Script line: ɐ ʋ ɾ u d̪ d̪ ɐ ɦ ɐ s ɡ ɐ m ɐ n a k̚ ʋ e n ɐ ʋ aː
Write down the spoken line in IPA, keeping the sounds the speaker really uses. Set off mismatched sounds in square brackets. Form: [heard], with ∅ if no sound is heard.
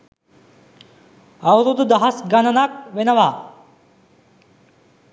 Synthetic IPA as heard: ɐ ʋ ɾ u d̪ d̪ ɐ ɦ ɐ s ɡ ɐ [n] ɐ n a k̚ ʋ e n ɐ ʋ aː